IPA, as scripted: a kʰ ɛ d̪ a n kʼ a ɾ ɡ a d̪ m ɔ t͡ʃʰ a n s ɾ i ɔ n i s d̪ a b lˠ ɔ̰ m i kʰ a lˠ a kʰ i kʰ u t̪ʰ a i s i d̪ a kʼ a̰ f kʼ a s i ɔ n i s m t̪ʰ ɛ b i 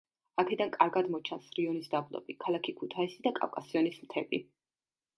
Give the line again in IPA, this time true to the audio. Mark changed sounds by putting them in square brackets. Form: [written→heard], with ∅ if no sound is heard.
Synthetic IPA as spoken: a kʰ ɛ d̪ a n kʼ a ɾ ɡ a d̪ m ɔ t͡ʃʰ a n s ɾ i ɔ n i s d̪ a b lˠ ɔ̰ [m→b] i kʰ a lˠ a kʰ i kʰ u t̪ʰ a i s i d̪ a kʼ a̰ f kʼ a s i ɔ n i s m t̪ʰ ɛ b i